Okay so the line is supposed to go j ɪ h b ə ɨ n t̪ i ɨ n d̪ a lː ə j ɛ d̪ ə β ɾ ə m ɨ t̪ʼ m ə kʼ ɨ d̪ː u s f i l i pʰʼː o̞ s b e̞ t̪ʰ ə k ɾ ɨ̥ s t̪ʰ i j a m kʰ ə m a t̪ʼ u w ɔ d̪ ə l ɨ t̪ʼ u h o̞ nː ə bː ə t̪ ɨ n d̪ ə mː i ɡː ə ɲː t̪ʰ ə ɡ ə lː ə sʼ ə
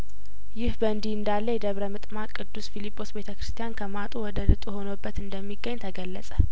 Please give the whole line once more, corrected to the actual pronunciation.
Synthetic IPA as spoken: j ɪ h b ə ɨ n d̪ i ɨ n d̪ a lː ə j ɛ d̪ ə β ɾ ə m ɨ t̪ʼ m a kʼ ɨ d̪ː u s f i l i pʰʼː o̞ s b e̞ t̪ʰ ə k ɾ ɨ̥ s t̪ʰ i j a n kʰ ə m a t̪ʼ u w ɔ d̪ ə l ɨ t̪ʼ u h o̞ n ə bː ə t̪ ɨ n d̪ ə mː i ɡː ə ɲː t̪ʰ ə ɡ ə lː ə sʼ ə